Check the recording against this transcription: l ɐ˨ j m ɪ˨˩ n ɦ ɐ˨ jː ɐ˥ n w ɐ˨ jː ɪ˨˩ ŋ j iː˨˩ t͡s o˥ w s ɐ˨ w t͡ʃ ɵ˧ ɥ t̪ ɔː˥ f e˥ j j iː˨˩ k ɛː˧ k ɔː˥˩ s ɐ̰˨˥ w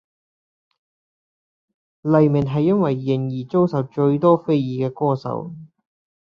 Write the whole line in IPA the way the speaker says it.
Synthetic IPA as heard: l ɐ˨ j m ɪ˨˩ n ɦ ɐ˨ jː ɐ˥ n w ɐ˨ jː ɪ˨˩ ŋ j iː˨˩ t͡s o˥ w s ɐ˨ w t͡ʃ ɵ˧ ɥ t̪ ɔː˥ f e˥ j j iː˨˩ k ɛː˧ k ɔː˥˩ s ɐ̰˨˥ w